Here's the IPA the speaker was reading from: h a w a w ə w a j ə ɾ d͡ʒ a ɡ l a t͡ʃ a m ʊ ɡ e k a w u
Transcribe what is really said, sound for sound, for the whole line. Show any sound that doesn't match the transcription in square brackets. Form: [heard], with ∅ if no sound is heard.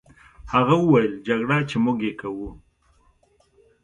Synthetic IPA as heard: h a [ɣ] a w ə w a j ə [l] d͡ʒ a ɡ [ɽ] a t͡ʃ [e] m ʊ ɡ e k a w u